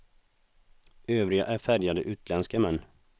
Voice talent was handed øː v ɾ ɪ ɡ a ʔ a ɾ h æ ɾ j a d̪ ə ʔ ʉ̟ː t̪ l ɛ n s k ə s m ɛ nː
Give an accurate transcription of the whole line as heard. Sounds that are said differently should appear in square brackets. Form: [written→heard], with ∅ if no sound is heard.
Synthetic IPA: øː v ɾ ɪ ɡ a ʔ [a→æ] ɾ [h→f] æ ɾ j a d̪ ə ʔ ʉ̟ː t̪ l ɛ n s k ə [s→∅] m ɛ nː